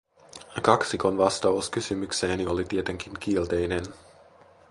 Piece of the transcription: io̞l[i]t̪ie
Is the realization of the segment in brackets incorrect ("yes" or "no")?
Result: no